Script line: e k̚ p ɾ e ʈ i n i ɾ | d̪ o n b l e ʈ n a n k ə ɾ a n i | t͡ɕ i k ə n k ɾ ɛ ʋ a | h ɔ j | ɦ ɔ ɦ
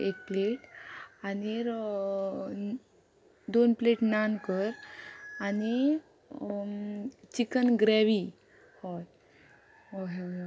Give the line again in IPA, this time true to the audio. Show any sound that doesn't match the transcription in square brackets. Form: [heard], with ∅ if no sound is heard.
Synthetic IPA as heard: e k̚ p [l] e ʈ [a] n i ɾ | d̪ o n [p] l e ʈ n a n k ə ɾ a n i | t͡ɕ i k ə n [ɡ] ɾ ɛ ʋ [i] | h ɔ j | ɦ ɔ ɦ